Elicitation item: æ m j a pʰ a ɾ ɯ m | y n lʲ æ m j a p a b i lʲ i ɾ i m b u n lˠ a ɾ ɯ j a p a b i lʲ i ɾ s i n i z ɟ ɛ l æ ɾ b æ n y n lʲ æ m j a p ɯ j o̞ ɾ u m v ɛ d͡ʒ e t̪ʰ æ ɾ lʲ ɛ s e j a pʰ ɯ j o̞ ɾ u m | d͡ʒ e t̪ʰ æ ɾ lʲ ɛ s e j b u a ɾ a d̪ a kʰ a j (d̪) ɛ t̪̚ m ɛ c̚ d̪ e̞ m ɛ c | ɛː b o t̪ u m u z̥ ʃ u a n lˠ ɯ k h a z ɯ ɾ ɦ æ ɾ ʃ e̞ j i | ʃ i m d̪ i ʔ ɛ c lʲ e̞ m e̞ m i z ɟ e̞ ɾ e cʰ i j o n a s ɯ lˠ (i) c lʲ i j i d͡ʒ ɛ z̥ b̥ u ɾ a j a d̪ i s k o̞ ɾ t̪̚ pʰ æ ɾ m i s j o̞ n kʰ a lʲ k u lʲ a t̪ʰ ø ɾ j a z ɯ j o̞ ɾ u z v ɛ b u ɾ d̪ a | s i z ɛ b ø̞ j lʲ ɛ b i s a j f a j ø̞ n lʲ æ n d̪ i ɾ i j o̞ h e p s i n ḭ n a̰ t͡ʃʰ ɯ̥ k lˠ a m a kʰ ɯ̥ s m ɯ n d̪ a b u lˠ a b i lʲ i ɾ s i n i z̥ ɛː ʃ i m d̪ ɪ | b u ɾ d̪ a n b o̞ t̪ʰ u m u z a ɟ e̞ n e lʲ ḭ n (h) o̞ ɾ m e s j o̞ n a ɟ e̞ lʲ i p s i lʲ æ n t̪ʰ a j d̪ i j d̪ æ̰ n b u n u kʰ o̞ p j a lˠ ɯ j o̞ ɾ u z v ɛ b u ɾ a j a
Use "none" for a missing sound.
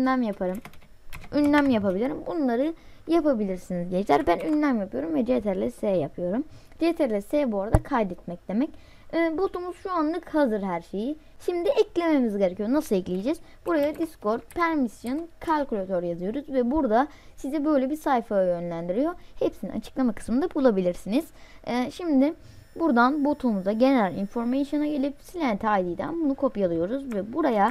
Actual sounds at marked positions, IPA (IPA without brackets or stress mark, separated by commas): d̪, ɛ, f